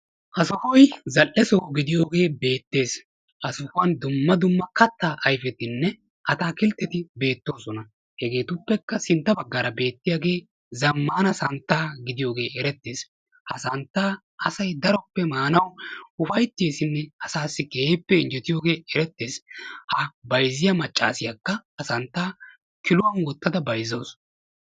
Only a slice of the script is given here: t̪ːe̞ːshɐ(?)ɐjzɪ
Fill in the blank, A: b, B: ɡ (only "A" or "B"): A